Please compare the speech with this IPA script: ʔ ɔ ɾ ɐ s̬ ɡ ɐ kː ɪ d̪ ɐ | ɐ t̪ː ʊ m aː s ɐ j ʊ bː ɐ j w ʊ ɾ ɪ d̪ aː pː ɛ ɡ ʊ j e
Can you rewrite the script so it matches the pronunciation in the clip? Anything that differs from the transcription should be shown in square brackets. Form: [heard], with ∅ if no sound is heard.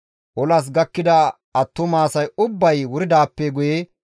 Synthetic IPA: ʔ ɔ [l] ɐ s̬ ɡ ɐ kː ɪ d̪ ɐ | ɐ t̪ː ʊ m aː s ɐ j ʊ bː ɐ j w ʊ ɾ ɪ d̪ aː pː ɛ ɡ ʊ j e